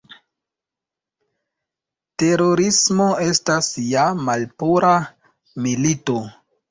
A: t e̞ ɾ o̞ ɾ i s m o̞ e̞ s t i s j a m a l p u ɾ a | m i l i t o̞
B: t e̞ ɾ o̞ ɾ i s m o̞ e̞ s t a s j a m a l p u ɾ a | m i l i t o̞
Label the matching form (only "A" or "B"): B